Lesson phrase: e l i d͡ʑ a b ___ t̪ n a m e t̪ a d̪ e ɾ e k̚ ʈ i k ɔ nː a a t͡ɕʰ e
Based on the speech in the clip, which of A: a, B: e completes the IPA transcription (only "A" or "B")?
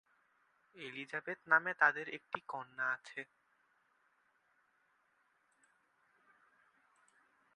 B